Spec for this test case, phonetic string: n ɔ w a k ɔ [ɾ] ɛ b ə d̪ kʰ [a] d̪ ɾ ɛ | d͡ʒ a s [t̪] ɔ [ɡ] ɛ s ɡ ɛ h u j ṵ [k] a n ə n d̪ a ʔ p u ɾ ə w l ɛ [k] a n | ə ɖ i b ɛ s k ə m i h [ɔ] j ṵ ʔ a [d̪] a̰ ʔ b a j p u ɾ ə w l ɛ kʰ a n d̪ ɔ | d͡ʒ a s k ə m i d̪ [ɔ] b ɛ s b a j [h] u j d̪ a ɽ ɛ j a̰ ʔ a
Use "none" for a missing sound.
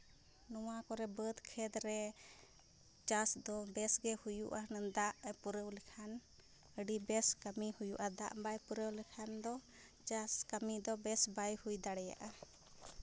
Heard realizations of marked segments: ɾ, ɛ, d̪, b, ʔ, kʰ, u, d̪, ɔ, h

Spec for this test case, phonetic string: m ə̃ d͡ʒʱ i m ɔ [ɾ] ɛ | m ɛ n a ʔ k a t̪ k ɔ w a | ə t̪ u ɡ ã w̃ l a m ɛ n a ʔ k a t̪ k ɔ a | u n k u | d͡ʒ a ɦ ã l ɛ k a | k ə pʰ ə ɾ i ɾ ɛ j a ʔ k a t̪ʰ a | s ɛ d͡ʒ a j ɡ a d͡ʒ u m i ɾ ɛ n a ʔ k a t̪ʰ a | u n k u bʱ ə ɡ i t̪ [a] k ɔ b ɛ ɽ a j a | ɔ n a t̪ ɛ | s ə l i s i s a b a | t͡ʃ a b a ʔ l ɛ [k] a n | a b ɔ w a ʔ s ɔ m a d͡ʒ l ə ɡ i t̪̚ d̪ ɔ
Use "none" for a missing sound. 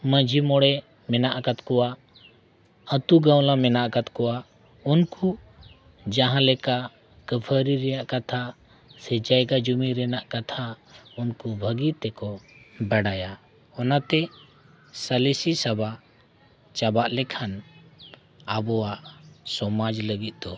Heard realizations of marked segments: ɽ, ɛ, kʰ

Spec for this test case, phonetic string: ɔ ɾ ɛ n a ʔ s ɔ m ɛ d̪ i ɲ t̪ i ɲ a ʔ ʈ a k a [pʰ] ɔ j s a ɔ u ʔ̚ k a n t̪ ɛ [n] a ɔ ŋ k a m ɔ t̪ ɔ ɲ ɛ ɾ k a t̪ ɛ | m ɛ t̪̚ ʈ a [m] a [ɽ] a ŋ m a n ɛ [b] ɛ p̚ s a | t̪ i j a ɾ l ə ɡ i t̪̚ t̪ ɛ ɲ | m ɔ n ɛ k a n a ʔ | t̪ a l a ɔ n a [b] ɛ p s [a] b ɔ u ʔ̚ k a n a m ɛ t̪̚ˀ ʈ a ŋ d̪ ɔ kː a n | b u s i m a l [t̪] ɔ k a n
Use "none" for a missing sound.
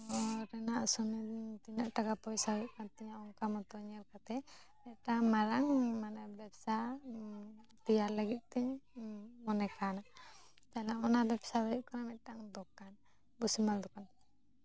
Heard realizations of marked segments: p, ɲ, m, ɾ, b, b, a, d̪

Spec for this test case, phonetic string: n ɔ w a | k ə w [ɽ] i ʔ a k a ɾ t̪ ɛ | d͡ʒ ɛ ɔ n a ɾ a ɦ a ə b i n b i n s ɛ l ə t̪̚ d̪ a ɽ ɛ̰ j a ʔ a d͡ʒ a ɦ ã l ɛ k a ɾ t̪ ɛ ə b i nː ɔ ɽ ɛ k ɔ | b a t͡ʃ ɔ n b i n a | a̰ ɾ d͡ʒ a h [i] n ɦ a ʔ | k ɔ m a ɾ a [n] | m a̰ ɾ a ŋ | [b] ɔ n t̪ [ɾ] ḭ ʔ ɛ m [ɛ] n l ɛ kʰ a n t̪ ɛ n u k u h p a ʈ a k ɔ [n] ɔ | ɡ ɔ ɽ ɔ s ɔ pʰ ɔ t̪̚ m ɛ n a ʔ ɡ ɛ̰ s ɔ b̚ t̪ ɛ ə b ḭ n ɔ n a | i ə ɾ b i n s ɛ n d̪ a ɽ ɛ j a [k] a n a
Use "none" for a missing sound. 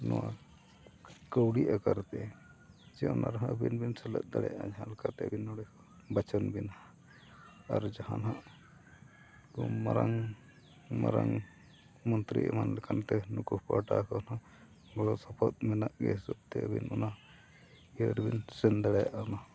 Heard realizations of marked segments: ɽ, a, ŋ, m, ɾ, a, n, ʔ

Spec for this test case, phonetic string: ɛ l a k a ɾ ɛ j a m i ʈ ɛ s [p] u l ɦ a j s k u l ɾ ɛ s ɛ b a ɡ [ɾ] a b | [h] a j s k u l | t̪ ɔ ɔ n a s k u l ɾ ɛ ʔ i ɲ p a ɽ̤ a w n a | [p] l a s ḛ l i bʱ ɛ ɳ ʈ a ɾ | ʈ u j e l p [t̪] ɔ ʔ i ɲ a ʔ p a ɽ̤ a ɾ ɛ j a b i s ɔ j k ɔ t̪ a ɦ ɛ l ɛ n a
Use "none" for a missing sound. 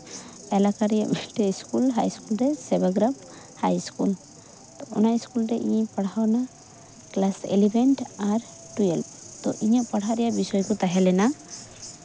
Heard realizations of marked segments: k, ɾ, h, k, t̪

